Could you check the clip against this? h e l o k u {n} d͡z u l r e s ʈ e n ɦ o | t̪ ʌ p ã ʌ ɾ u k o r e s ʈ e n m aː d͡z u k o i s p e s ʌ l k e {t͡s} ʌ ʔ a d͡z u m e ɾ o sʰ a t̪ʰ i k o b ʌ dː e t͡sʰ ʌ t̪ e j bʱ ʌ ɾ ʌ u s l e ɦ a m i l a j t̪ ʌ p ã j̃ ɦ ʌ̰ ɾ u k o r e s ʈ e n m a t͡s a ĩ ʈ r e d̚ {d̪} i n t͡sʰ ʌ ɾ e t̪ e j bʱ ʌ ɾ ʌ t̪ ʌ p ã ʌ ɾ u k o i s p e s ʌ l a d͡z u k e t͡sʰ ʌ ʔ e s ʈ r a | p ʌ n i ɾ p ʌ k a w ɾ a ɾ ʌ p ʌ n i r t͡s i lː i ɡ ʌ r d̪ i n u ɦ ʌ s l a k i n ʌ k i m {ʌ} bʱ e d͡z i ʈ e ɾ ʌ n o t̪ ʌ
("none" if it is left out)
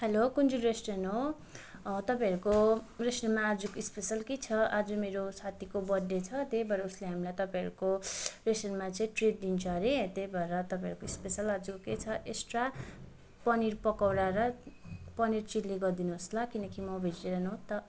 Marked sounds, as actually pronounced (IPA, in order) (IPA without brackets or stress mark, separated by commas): n, t͡sʰ, d̪, ʌ